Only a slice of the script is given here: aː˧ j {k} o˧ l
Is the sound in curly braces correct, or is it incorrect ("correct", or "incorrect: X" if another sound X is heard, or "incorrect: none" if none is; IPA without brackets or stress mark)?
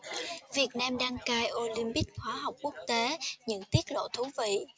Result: incorrect: ʔ